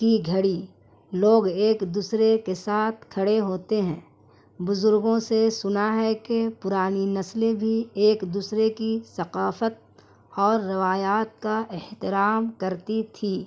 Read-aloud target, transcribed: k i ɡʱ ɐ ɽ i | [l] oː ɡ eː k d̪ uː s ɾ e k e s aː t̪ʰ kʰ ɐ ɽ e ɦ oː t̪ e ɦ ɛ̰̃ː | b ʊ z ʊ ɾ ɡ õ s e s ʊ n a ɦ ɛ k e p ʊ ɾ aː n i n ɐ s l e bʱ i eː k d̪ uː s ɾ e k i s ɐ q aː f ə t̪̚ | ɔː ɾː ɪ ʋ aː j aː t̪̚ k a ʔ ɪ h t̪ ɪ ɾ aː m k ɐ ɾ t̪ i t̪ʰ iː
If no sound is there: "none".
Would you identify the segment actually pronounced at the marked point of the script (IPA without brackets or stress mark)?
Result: l